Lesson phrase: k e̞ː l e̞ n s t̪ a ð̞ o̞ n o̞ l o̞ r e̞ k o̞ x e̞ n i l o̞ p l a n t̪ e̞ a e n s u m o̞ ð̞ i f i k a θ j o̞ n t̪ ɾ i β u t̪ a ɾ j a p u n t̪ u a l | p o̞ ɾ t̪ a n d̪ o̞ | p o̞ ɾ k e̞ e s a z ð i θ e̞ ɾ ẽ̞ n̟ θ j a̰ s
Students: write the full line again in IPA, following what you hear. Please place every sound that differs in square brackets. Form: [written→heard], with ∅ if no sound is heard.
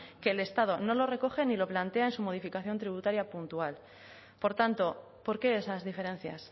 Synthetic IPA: k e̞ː l e̞ [n→∅] s t̪ a ð̞ o̞ n o̞ l o̞ r e̞ k o̞ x e̞ n i l o̞ p l a n t̪ e̞ a e n s u m o̞ ð̞ i f i k a θ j o̞ n t̪ ɾ i β u t̪ a ɾ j a p u n t̪ u a l | p o̞ ɾ t̪ a n [d̪→t̪] o̞ | p o̞ ɾ k e̞ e s a z ð i [θ→f] e̞ ɾ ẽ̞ n̟ θ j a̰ s